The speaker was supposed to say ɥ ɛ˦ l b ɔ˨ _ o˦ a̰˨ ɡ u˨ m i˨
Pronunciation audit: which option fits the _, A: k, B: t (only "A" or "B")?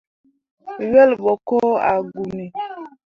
A